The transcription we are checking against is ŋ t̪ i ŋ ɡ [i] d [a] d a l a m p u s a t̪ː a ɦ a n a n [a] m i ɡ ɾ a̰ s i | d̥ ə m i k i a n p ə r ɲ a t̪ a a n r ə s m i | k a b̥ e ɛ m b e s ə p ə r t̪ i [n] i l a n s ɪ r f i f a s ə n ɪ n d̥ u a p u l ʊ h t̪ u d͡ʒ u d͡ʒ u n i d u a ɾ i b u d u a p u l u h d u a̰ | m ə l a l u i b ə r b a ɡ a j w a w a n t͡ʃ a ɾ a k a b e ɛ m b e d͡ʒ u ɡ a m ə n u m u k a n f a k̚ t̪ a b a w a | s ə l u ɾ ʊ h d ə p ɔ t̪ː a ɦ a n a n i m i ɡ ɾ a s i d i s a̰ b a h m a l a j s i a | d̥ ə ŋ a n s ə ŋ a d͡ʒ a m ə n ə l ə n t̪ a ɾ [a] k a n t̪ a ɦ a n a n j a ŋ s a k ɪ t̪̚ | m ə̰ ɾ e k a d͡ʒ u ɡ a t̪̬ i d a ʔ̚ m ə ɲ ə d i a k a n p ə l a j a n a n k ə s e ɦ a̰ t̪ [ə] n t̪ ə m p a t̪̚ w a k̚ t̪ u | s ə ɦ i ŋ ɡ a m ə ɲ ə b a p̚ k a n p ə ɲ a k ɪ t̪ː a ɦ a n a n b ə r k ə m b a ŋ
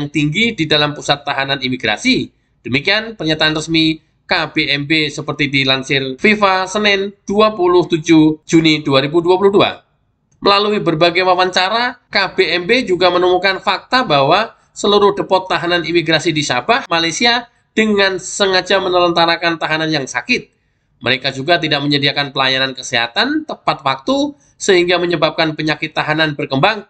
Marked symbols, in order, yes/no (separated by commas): yes, no, no, no, yes, no